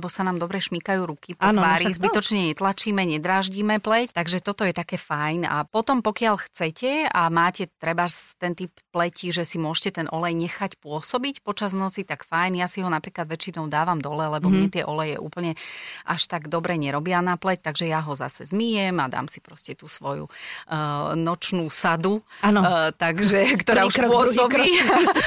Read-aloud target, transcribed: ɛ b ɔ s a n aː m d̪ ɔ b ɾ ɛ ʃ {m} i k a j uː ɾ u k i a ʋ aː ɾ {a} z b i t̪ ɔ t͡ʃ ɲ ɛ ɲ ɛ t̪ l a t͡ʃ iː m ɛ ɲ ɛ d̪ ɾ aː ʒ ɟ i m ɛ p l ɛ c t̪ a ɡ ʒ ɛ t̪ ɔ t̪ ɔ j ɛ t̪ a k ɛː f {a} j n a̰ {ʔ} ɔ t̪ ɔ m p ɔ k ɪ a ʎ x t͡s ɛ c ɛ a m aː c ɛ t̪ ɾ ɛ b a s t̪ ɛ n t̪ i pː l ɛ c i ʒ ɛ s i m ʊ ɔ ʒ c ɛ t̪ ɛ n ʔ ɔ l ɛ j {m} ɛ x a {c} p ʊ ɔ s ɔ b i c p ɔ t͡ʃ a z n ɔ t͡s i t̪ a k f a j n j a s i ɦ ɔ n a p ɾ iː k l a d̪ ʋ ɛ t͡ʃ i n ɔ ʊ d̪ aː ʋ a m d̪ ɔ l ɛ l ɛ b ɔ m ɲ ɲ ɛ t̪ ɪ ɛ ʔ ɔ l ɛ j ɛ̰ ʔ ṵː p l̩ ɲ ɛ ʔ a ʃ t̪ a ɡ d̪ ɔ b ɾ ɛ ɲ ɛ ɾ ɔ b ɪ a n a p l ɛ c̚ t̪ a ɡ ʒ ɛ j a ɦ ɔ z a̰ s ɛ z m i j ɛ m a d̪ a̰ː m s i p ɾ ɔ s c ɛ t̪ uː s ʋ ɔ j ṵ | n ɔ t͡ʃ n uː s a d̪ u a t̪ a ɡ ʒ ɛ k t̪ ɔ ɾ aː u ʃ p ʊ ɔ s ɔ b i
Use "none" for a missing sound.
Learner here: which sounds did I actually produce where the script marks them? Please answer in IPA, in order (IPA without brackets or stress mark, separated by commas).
m, i, a, p, ɲ, c